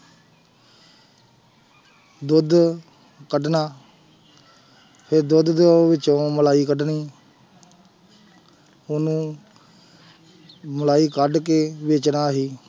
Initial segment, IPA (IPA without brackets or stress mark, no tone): d̪